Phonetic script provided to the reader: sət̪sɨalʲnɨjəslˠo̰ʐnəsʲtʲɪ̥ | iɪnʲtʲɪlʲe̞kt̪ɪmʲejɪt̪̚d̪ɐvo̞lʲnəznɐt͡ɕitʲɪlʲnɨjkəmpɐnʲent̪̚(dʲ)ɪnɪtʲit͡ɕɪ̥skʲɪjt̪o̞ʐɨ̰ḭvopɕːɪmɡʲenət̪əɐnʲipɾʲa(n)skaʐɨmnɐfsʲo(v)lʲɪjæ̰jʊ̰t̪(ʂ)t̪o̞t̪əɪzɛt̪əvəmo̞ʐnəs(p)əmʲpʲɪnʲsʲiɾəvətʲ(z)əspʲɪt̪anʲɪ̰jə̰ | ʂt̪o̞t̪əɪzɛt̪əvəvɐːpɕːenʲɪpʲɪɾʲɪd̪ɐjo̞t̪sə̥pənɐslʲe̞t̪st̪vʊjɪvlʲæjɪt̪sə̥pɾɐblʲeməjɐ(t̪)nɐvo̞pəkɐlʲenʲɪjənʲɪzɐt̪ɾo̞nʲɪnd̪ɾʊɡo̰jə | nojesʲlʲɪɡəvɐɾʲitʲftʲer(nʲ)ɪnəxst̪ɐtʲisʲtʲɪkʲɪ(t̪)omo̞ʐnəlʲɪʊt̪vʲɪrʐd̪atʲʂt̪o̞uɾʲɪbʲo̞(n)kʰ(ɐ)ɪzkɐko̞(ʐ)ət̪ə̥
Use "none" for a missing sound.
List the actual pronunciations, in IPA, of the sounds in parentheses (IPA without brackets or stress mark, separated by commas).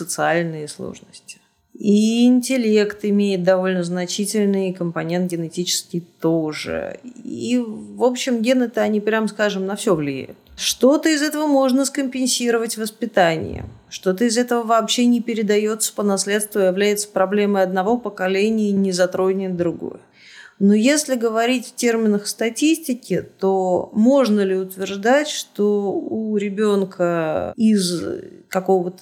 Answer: ɡʲ, m, v, ʂ, k, v, d̪, mʲ, t̪, n, ə, v